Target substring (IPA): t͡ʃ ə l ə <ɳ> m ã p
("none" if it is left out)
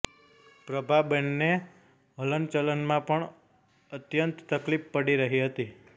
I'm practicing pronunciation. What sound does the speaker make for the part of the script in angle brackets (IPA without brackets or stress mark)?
n